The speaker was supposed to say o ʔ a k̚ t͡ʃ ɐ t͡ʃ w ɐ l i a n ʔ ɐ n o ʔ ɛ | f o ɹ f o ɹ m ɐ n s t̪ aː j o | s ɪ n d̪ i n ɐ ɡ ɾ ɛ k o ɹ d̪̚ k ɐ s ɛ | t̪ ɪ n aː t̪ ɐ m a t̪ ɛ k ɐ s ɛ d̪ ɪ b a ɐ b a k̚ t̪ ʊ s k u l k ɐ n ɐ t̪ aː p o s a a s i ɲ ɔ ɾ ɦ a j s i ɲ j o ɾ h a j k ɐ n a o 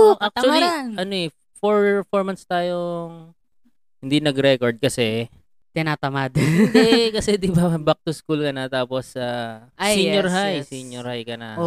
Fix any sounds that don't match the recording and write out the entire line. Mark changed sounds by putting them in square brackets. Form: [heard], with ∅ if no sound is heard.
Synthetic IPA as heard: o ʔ a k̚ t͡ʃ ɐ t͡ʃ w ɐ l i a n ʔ ɐ n o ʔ ɛ | f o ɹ f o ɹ m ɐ n s t̪ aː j o | [h] ɪ n d̪ i n ɐ ɡ ɾ ɛ k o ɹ d̪̚ k ɐ s ɛ | t̪ ɪ n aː t̪ ɐ m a [d̪] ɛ k ɐ s ɛ d̪ ɪ b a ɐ b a k̚ t̪ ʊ s k u l k ɐ n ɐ t̪ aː p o s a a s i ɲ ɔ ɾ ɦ a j s i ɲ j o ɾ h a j k ɐ n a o